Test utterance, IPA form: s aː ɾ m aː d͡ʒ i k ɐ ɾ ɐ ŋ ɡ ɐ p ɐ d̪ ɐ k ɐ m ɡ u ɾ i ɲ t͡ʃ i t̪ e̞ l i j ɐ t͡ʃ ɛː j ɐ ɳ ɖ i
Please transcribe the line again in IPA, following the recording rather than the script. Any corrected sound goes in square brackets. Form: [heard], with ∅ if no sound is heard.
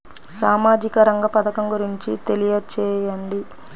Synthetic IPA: s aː [∅] m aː d͡ʒ i k ɐ ɾ ɐ ŋ ɡ ɐ p ɐ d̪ ɐ k ɐ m ɡ u ɾ i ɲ t͡ʃ i t̪ e̞ l i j ɐ t͡ʃ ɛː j ɐ ɳ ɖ i